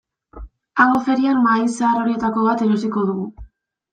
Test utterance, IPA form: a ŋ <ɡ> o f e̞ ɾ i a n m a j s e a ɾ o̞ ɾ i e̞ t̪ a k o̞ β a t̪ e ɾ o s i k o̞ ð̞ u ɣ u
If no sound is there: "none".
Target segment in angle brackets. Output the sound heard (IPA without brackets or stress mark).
ɡ